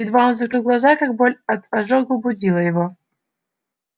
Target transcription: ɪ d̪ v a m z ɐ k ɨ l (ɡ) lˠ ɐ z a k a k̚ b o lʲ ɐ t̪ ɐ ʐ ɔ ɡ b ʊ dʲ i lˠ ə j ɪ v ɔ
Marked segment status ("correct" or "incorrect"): correct